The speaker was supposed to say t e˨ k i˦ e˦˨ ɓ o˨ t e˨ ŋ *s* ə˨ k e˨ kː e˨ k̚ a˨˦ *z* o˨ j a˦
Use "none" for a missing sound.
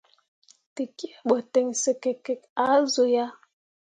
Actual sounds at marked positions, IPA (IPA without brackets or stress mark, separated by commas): s, z